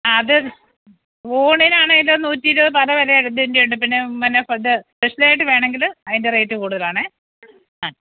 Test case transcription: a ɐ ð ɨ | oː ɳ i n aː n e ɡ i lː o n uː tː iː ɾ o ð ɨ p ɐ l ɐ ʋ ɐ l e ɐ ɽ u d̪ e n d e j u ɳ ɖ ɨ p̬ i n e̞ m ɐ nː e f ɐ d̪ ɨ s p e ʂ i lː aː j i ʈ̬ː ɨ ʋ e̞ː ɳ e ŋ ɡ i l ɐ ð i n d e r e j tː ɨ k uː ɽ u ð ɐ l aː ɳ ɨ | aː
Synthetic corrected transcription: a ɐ ð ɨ | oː ɳ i n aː ɳ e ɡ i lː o n uː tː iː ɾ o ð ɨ p ɐ l ɐ ʋ ɐ l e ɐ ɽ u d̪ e n d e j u ɳ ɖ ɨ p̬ i nː e̞ m ɐ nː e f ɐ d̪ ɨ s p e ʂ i l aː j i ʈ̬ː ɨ ʋ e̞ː ɳ e ŋ ɡ i l ɐ ð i n d e r e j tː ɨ k uː ɽ u ð ɐ l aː ɳ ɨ | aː

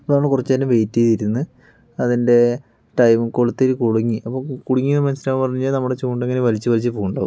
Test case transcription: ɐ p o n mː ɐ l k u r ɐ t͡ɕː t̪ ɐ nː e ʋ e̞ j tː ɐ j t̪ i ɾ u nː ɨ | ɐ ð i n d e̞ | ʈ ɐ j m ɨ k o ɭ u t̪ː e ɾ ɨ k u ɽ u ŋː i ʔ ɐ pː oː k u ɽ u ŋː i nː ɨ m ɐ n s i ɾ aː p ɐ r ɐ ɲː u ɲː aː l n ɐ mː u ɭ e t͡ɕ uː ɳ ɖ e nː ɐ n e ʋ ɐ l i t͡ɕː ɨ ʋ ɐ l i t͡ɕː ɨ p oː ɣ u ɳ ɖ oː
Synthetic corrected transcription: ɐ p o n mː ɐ ɭ k u r ɐ t͡ɕː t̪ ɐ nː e ʋ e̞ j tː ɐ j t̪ i ɾ u nː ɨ | ɐ ð i n d e̞ | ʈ ɐ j m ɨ k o ɭ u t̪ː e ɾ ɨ k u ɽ u ŋː i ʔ ɐ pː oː k u ɽ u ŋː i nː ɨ m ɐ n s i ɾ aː p ɐ r ɐ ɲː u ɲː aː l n ɐ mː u ɽ e t͡ɕ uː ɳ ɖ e ŋː ɐ n e ʋ ɐ l i t͡ɕː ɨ ʋ ɐ l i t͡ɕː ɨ p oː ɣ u ɳ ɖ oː

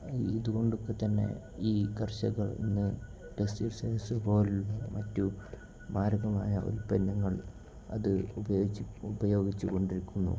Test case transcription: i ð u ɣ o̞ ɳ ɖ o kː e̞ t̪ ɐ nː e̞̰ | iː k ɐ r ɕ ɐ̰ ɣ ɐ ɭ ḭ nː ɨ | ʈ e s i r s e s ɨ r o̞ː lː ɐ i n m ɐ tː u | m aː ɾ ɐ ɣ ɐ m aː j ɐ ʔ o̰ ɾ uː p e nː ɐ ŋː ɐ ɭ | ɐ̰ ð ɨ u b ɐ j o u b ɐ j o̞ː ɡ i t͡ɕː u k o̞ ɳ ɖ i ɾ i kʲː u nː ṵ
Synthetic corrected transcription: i ð u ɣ o̞ ɳ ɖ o kː e̞ t̪ ɐ nː e̞̰ | iː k ɐ r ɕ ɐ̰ ɣ ɐ ɭ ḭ nː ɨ | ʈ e s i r s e s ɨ r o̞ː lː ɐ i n m ɐ tː u | m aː ɾ ɐ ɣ ɐ m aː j ɐ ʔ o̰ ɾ u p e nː ɐ ŋː ɐ ɭ | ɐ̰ ð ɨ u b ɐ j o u b ɐ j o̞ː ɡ i t͡ɕː u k o̞ ɳ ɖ i ɾ i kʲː u nː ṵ

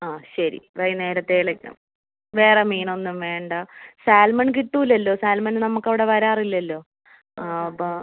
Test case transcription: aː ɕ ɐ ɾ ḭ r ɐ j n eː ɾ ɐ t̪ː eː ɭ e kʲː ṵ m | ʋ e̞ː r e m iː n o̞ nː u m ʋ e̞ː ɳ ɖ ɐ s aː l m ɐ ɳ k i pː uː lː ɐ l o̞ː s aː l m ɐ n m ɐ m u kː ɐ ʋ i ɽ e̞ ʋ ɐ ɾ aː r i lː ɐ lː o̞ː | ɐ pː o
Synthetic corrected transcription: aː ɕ ɐ ɾ ḭ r ɐ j n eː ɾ ɐ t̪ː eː ɭ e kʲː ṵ m | ʋ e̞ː r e m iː n o̞ nː u m ʋ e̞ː ɳ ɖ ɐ s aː l m ɐ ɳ k i ʈː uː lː ɐ lː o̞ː s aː l m ɐ n n ɐ m u kː ɐ ʋ i ɽ e̞ ʋ ɐ ɾ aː r i lː ɐ lː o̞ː | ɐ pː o

